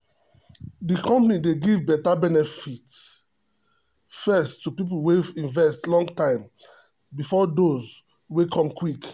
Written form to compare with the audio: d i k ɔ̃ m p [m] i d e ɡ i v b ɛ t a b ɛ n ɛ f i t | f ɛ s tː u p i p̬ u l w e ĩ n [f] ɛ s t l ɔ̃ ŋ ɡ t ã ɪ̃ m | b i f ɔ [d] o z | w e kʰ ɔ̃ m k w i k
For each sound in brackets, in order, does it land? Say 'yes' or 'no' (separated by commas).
no, no, yes